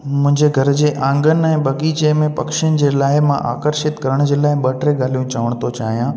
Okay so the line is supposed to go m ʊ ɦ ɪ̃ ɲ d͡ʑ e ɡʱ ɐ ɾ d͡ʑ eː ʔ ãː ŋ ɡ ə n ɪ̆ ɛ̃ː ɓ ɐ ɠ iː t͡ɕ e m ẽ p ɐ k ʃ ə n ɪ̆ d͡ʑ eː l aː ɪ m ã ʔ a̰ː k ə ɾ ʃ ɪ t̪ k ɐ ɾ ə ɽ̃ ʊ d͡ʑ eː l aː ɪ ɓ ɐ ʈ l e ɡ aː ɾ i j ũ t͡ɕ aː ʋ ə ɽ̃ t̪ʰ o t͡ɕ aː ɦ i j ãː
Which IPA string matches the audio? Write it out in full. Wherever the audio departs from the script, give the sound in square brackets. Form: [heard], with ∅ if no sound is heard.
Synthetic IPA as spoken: m [ʊ̃] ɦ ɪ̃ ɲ d͡ʑ e ɡʱ ɐ ɾ d͡ʑ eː ʔ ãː ŋ ɡ ə n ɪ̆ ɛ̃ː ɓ ɐ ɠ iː t͡ɕ e m ẽ p ɐ k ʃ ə n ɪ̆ d͡ʑ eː l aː ɪ m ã ʔ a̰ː k ə ɾ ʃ ɪ t̪ k ɐ ɾ ə ɽ̃ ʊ d͡ʑ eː l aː ɪ ɓ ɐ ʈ [ɾ] e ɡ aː [l] i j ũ t͡ɕ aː ʋ ə ɽ̃ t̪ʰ o t͡ɕ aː ɦ i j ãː

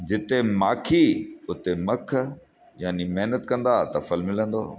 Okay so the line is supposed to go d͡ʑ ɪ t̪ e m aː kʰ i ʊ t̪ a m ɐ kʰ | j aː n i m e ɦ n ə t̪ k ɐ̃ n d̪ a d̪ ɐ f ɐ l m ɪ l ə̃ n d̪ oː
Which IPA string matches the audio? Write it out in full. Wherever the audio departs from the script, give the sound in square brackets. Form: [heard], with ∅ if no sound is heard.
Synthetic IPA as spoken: d͡ʑ ɪ t̪ e m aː kʰ i ʊ t̪ [e] m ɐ kʰ | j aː n i m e ɦ n ə t̪ k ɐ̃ n d̪ a [t̪] ɐ f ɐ l m ɪ l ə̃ n d̪ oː

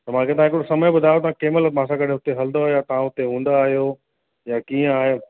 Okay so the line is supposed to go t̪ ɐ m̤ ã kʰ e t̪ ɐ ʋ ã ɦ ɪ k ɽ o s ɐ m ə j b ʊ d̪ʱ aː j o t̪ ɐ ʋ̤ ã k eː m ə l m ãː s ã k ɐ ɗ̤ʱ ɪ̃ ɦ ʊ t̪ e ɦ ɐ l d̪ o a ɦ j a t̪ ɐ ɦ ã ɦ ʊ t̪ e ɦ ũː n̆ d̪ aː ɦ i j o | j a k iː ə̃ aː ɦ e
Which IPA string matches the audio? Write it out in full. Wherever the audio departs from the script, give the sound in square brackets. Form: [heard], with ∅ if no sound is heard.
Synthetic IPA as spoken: t̪ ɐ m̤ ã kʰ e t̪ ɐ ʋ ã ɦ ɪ k ɽ o s ɐ m ə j b ʊ d̪ʱ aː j o t̪ ɐ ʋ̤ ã k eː m ə l m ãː s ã k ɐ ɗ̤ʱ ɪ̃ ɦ ʊ t̪ e ɦ ɐ l d̪ o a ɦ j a t̪ ɐ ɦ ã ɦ ʊ t̪ e ɦ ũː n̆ d̪ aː ɦ i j o | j a k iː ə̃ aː ɦ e

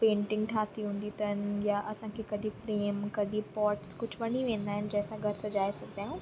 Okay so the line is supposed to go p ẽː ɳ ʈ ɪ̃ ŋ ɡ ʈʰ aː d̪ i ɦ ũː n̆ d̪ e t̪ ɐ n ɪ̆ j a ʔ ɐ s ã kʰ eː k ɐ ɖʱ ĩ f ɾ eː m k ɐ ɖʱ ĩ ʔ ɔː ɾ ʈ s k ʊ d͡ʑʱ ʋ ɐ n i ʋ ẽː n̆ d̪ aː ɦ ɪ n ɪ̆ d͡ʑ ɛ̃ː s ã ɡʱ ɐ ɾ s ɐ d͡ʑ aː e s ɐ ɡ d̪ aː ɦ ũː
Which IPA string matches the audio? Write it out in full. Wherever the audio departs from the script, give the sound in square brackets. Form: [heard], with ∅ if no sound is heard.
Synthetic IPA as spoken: p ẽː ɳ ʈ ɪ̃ ŋ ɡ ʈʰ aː [t̪] i ɦ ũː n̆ d̪ [i] t̪ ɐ n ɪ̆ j a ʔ ɐ s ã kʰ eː k ɐ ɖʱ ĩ f ɾ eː m k ɐ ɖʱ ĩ [p] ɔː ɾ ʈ s k ʊ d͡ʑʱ ʋ ɐ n i ʋ ẽː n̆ d̪ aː ɦ ɪ n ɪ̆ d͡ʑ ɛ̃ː s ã ɡʱ ɐ ɾ s ɐ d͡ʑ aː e s ɐ ɡ d̪ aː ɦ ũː

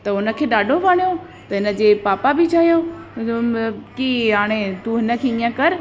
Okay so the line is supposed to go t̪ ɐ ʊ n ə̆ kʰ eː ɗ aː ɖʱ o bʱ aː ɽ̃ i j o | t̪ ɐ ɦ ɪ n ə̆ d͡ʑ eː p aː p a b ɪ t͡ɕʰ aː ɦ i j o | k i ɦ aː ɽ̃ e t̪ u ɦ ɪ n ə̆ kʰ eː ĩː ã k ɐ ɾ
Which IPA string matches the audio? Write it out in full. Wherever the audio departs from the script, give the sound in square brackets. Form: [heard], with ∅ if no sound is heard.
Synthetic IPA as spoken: t̪ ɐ ʊ n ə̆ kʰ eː ɗ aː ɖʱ o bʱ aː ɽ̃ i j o | t̪ ɐ ɦ ɪ n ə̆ d͡ʑ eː p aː p a b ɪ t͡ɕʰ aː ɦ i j o | k i ɦ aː ɽ̃ e t̪ u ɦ ɪ n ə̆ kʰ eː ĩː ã k ɐ ɾ

